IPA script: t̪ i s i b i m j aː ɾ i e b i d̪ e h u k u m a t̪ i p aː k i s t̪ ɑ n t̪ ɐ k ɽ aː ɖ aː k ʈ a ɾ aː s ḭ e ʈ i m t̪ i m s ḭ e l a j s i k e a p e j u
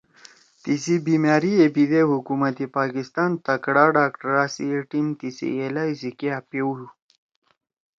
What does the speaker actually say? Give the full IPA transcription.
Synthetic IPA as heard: t̪ i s i b i m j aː ɾ i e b i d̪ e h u k u m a t̪ i p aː k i s t̪ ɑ n t̪ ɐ k ɽ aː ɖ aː k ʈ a ɾ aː s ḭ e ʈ i m t̪ i s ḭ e l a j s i k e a p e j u